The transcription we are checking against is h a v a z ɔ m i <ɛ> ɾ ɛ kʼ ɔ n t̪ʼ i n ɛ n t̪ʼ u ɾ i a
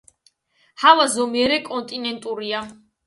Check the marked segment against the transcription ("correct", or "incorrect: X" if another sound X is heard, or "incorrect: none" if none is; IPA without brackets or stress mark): correct